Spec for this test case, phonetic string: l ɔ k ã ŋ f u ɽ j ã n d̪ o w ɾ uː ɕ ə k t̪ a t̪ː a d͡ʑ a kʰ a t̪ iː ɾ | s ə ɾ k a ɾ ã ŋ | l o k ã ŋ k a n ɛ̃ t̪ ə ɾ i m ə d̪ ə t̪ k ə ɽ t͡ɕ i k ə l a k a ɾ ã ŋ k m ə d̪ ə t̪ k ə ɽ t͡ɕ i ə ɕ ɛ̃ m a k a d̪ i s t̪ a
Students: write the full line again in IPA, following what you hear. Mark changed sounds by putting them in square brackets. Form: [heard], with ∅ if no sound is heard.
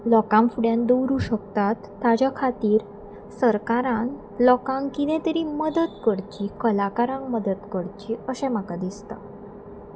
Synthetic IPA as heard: l ɔ k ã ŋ f u ɽ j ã n d̪ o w ɾ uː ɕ ə k t̪ a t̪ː a d͡ʑ a kʰ a t̪ iː ɾ | s ə ɾ k a ɾ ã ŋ | l [ɔ] k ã ŋ k [i] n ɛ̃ t̪ ə ɾ i m ə d̪ ə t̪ k ə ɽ t͡ɕ i k ə l a k a ɾ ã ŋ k m ə d̪ ə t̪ k ə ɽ t͡ɕ i ə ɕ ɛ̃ m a k a d̪ i s t̪ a

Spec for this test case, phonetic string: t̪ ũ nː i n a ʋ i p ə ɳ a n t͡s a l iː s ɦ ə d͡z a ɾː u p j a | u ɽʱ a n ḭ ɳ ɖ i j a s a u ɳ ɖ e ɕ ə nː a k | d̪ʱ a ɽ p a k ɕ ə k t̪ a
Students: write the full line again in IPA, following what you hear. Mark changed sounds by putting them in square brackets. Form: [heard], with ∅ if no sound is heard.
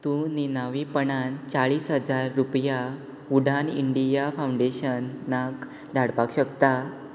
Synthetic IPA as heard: t̪ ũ [n] i n a ʋ i p ə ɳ a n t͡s a [ɭ] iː s ɦ ə d͡z a ɾː u p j a | u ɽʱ a n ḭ ɳ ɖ i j a [f] a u ɳ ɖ e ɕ ə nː a k | d̪ʱ a ɽ p a k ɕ ə k t̪ a

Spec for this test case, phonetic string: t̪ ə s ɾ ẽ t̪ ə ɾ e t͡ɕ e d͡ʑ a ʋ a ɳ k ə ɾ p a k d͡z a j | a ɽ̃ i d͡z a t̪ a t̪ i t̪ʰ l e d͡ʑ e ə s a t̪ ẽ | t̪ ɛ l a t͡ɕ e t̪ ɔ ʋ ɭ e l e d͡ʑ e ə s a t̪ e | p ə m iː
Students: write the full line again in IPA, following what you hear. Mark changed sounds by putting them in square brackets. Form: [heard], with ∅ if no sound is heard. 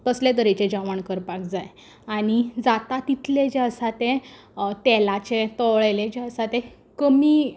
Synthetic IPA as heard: t̪ ə s [l] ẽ t̪ ə ɾ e t͡ɕ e d͡ʑ a ʋ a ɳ k ə ɾ p a k d͡z a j | a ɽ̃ i d͡z a t̪ a t̪ i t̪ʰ l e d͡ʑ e ə s a t̪ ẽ | t̪ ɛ l a t͡ɕ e t̪ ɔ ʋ ɭ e l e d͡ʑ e ə s a t̪ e | [k] ə m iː

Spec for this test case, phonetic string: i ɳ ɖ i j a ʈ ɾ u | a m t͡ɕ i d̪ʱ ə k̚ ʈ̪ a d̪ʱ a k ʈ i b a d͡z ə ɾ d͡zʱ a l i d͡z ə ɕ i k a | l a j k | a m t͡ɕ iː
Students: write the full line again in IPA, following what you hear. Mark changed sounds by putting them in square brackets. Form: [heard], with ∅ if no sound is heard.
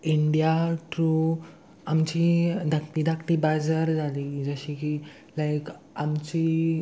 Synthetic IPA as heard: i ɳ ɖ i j a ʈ ɾ u | a m t͡ɕ i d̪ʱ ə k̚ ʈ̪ [i] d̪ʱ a k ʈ i b a d͡z ə ɾ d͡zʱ a l i d͡z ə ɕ i k [i] | l a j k | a m t͡ɕ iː

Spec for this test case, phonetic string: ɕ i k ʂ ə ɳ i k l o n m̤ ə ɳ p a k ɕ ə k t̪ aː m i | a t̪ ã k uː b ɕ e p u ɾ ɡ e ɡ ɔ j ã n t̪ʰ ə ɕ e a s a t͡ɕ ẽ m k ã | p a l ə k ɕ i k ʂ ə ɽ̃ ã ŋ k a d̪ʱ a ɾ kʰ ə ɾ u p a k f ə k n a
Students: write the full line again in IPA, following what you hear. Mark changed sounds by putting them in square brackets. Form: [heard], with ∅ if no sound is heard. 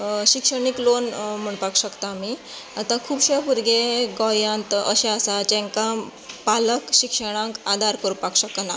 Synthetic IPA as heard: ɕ i k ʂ ə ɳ i k l o n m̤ ə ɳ p a k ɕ ə k t̪ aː m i | a t̪ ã [kʰ] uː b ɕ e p u ɾ ɡ e ɡ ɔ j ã n [t̪] ə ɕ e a s a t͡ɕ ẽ [ŋ] k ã | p a l ə k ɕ i k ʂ ə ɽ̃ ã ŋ k a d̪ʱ a ɾ [k] ə ɾ u p a k [ɕ] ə k n a

